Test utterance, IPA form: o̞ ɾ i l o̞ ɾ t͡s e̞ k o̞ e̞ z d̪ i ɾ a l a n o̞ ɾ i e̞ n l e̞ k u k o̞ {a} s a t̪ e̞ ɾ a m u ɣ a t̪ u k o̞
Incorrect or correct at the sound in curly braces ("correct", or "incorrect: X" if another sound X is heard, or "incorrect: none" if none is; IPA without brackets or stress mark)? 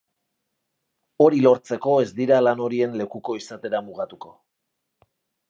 incorrect: i